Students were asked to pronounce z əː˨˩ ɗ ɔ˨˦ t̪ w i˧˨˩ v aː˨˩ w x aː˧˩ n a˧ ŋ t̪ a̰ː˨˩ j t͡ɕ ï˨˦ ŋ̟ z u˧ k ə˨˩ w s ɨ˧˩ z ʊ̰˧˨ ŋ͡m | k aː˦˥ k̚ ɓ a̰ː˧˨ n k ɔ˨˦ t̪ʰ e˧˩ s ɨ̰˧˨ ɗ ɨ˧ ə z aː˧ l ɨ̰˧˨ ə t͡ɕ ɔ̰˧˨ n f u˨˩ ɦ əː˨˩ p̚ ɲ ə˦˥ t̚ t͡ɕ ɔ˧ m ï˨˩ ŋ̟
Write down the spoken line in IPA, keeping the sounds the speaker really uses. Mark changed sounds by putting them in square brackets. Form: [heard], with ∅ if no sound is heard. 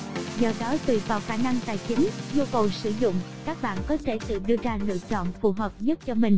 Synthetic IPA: z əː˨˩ ɗ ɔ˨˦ t̪ w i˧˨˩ v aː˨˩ w x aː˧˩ n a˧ ŋ t̪ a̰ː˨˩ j t͡ɕ ï˨˦ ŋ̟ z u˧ k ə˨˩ w s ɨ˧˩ z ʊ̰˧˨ ŋ͡m | k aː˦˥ k̚ ɓ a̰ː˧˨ n k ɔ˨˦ t̪ʰ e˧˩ s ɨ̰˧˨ ɗ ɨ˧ ə z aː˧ l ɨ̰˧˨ ə t͡ɕ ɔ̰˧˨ n f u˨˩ ɦ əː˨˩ p̚ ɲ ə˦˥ t̚ t͡ɕ ɔ˧ m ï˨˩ ŋ̟

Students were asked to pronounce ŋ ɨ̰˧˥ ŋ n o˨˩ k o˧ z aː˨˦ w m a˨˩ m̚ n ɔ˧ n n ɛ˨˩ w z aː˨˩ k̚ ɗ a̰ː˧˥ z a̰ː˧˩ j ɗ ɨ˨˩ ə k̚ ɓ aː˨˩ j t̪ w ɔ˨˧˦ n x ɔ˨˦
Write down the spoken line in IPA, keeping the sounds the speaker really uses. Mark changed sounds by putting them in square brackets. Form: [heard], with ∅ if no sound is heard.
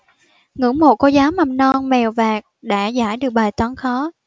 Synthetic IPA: ŋ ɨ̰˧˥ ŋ [m] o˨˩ k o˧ z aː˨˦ w m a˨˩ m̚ n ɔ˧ n [m] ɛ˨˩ w [v] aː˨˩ k̚ ɗ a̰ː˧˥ z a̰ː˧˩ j ɗ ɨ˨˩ ə k̚ ɓ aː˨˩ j t̪ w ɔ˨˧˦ n x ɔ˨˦

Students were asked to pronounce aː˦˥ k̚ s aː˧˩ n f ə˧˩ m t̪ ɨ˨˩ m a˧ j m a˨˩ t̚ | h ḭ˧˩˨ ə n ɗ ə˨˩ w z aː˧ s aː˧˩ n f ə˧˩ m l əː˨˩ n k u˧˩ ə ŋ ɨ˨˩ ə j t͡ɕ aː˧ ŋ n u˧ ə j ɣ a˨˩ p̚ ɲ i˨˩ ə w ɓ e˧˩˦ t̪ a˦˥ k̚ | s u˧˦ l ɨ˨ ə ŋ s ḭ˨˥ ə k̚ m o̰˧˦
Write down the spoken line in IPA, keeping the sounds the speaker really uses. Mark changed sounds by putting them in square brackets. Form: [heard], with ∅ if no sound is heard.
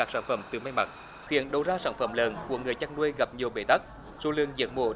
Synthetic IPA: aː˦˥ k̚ s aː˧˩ n f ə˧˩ m t̪ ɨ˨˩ m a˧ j m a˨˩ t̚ | [x] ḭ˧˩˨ ə n ɗ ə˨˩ w z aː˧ s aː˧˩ n f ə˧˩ m l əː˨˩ n k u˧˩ ə ŋ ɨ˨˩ ə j t͡ɕ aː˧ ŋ n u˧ ə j ɣ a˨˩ p̚ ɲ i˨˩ ə w ɓ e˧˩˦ t̪ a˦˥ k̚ | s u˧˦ l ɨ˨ ə ŋ [z] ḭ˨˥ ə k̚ m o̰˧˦

